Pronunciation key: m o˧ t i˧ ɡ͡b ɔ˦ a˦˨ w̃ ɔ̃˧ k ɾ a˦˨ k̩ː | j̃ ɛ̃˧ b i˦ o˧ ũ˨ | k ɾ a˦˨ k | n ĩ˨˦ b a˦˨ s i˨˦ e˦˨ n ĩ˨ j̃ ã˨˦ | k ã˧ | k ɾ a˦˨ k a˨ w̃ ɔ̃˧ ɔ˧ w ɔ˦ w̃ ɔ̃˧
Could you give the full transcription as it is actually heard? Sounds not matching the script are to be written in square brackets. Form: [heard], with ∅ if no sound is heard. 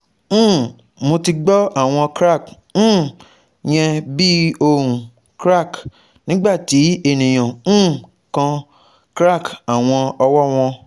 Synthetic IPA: m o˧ t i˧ ɡ͡b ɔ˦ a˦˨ w̃ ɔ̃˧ k ɾ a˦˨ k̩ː | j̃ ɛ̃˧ b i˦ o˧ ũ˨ | k ɾ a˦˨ k | n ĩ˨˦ [ɡ͡b] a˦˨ [t] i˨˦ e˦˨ n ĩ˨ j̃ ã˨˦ | k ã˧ | k ɾ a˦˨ k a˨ w̃ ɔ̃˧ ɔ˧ w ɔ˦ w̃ ɔ̃˧